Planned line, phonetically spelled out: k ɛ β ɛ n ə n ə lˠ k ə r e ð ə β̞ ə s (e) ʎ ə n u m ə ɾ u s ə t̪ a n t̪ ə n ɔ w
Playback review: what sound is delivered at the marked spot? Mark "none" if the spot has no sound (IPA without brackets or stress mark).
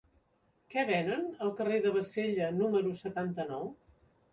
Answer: e